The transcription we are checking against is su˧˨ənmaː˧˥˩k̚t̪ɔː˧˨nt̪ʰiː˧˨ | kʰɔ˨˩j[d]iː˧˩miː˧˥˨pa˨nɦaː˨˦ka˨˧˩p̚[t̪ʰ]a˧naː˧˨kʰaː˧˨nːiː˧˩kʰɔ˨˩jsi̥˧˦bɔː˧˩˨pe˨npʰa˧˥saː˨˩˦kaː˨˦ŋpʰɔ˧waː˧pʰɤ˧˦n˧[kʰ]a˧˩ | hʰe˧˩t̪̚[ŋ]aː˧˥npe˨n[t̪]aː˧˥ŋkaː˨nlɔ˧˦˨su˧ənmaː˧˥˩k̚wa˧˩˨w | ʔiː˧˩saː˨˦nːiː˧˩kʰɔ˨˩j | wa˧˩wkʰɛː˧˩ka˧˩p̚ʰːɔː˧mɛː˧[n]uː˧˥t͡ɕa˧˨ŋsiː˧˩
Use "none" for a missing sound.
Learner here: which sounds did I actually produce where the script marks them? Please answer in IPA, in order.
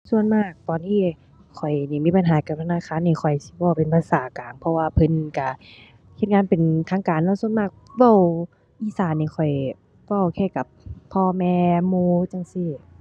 n, t̪ʰ, k, ŋ, t̪ʰ, m

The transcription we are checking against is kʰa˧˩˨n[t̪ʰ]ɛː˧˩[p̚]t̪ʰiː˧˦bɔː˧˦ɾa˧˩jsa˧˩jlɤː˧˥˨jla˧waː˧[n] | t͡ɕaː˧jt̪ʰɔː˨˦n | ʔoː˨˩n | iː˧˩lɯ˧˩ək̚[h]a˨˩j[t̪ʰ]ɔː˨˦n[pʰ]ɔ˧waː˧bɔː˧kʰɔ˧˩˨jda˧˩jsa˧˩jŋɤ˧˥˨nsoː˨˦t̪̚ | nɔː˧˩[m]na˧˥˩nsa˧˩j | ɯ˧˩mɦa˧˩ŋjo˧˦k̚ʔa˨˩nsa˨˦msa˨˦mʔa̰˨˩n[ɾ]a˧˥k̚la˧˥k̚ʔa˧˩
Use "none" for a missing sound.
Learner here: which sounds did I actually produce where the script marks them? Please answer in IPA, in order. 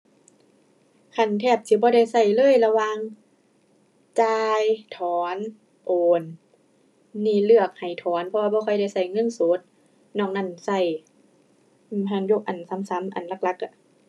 t̪ʰ, p̚, ŋ, h, t̪ʰ, pʰ, ŋ, l

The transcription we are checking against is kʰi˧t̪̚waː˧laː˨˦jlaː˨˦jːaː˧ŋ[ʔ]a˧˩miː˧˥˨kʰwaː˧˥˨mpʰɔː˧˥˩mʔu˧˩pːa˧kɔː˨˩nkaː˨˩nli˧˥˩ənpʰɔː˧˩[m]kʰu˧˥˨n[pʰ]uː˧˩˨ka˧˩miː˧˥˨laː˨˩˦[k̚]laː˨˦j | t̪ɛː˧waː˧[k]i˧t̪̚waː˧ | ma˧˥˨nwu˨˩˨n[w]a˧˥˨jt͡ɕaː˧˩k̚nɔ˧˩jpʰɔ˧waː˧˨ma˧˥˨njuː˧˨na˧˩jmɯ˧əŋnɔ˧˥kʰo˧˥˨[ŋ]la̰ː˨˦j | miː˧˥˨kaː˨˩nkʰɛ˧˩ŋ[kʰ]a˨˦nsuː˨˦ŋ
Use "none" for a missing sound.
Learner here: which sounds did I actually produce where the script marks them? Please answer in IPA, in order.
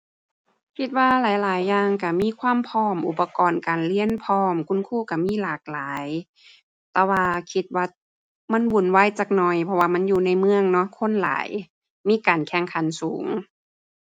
k, m, kʰ, k̚, kʰ, w, n, kʰ

